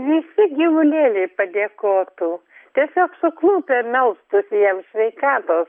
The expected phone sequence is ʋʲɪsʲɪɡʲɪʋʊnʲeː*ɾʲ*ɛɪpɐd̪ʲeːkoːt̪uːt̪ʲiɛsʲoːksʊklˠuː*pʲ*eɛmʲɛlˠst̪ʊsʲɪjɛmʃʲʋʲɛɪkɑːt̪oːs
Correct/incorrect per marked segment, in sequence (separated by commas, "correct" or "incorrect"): incorrect, correct